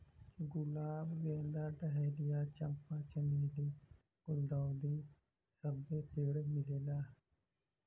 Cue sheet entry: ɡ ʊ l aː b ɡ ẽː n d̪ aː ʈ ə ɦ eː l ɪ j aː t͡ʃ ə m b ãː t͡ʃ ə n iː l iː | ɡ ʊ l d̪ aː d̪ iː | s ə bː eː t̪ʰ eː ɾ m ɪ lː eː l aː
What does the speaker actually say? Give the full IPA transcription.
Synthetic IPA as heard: ɡ ʊ l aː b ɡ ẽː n d̪ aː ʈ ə ɦ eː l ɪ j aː t͡ʃ ə m p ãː t͡ʃ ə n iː l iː | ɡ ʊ l d̪ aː d̪ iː | s ə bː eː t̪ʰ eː ɽ m ɪ l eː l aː